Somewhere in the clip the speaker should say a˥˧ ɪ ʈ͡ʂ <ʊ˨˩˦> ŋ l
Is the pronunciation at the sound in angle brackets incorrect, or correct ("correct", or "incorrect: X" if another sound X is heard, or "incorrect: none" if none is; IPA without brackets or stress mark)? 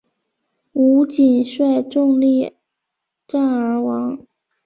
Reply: incorrect: ʊ˥˧